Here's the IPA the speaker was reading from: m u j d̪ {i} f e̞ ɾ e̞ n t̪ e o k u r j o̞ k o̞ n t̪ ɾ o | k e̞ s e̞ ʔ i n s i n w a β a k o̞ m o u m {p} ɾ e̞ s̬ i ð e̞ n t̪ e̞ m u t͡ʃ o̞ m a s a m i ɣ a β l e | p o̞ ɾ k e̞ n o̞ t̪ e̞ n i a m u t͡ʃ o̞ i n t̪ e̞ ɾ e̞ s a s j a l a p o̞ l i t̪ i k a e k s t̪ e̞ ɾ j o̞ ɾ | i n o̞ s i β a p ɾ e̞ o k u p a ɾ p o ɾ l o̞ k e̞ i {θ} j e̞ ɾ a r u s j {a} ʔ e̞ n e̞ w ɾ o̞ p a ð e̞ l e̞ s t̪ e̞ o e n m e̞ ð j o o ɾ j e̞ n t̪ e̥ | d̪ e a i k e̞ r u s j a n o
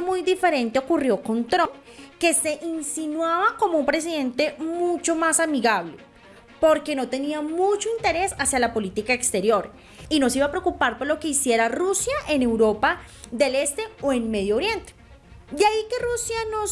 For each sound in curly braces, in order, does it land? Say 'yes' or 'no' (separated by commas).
yes, yes, no, yes